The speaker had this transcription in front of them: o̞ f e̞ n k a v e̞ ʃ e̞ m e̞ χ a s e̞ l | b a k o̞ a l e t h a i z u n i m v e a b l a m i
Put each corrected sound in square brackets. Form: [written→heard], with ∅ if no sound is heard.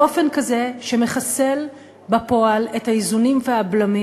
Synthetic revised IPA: o̞ f e̞ n k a [v→z] e̞ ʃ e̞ m e̞ χ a s e̞ l | b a [k→p] o̞ a l e t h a i z u n i m v e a b l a m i